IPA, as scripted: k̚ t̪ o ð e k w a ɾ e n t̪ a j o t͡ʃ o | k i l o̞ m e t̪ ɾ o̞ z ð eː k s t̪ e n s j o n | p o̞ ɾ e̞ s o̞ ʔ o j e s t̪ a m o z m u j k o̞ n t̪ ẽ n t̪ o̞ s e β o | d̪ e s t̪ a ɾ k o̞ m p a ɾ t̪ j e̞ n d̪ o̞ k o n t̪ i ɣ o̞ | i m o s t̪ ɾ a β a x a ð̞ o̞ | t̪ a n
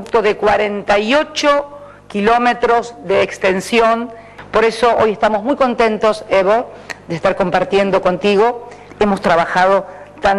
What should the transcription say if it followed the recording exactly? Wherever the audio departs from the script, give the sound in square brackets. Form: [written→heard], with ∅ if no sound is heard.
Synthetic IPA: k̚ t̪ o ð e k w a ɾ e n t̪ a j o t͡ʃ o | k i l o̞ m e t̪ ɾ o̞ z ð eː k s t̪ e n s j o n | p o̞ ɾ e̞ s o̞ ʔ o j e s t̪ a m o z m u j k o̞ n t̪ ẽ n t̪ o̞ s e β o | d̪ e s t̪ a ɾ k o̞ m p a ɾ t̪ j e̞ n d̪ o̞ k o n t̪ i ɣ o̞ | [i→e] m o s t̪ ɾ a β a x a ð̞ o̞ | t̪ a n